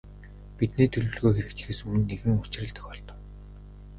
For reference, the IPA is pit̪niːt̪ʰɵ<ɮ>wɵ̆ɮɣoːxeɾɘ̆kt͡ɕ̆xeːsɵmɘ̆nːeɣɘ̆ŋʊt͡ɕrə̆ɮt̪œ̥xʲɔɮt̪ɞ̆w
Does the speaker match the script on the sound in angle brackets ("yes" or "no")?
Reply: yes